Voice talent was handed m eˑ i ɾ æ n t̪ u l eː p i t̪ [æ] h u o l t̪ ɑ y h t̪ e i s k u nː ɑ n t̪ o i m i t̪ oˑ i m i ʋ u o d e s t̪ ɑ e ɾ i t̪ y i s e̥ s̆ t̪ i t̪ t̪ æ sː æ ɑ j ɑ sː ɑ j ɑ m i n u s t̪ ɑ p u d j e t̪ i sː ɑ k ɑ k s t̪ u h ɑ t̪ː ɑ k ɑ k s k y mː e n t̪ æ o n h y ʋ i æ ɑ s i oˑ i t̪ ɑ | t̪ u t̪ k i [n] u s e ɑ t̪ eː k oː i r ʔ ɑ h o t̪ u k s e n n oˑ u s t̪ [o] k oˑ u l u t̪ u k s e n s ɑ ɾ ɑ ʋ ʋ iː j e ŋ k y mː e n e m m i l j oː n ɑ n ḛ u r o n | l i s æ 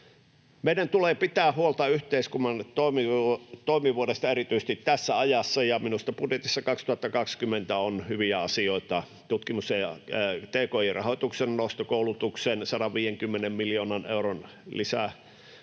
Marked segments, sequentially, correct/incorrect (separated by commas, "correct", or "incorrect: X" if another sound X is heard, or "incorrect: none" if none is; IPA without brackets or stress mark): incorrect: æː, incorrect: m, correct